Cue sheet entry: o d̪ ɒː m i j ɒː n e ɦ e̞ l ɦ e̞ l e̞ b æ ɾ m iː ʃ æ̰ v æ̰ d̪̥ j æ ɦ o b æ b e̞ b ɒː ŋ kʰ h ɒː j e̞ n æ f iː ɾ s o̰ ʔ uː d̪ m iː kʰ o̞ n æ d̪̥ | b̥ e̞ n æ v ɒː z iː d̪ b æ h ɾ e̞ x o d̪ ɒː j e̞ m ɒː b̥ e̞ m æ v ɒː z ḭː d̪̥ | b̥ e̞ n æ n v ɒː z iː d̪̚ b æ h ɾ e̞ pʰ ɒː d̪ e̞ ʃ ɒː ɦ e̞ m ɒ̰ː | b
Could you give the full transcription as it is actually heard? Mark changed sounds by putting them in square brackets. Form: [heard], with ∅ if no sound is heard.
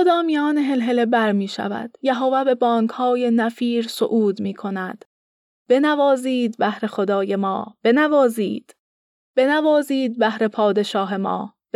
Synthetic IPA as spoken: o d̪ ɒː m i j ɒː n e ɦ e̞ l ɦ e̞ l e̞ b æ ɾ m iː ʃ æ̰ v æ̰ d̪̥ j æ ɦ o [v] æ b e̞ b ɒː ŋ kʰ h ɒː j e̞ n æ f iː ɾ s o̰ ʔ uː d̪ m iː kʰ o̞ n æ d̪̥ | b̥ e̞ n æ v ɒː z iː d̪ b æ h ɾ e̞ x o d̪ ɒː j e̞ m ɒː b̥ e̞ [n] æ v ɒː z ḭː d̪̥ | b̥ e̞ n æ [∅] v ɒː z iː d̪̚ b æ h ɾ e̞ pʰ ɒː d̪ e̞ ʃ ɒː ɦ e̞ m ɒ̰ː | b